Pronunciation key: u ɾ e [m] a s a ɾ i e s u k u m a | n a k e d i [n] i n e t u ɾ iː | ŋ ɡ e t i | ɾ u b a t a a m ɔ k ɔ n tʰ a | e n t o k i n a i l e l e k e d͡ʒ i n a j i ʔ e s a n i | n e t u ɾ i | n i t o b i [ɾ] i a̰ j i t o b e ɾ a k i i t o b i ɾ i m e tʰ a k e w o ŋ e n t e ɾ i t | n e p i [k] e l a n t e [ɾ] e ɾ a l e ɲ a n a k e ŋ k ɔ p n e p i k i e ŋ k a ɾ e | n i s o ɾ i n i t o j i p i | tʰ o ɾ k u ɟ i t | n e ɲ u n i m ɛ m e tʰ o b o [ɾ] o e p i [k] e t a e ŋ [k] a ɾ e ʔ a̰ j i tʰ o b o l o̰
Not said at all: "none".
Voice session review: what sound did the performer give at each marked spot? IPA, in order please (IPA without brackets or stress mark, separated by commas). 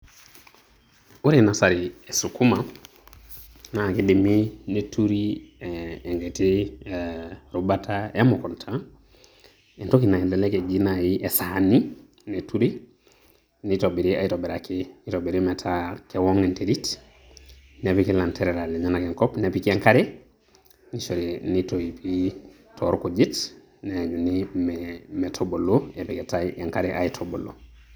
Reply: n, m, ɾ, k, ɾ, l, k, k